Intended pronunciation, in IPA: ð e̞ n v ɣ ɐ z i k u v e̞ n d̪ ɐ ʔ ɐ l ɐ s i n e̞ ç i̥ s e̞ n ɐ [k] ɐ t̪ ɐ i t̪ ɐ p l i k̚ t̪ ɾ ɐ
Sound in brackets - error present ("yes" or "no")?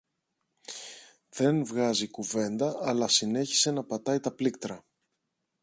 yes